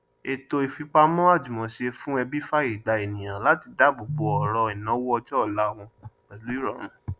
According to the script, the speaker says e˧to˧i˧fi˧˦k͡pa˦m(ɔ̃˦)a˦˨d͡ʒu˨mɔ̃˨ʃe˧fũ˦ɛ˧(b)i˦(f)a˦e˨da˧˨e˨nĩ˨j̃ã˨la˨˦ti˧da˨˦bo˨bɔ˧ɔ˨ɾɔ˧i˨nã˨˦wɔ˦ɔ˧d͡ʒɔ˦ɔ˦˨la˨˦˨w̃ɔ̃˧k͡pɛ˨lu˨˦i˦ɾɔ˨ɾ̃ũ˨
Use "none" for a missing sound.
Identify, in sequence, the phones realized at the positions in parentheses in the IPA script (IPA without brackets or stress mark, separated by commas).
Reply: ɔ̃˦, b, f